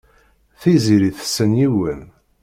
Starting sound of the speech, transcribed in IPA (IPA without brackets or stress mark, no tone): θ